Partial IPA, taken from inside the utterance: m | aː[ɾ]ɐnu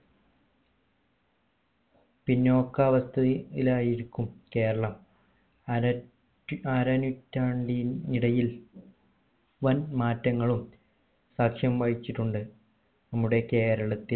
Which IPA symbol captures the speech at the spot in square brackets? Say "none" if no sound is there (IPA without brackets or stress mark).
ɾ